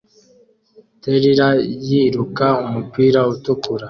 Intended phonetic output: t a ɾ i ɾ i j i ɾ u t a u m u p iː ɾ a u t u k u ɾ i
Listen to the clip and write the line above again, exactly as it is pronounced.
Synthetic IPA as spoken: t e ɾ i ɾ a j i ɾ u k a u m u p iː ɾ a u t u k u ɾ a